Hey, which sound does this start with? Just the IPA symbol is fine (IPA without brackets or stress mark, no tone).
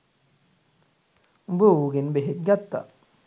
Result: b